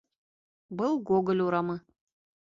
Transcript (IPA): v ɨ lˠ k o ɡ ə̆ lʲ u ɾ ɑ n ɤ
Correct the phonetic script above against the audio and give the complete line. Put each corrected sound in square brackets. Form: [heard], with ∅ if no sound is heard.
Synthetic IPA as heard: [b] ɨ lˠ [ɡ] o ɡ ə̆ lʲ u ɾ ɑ [m] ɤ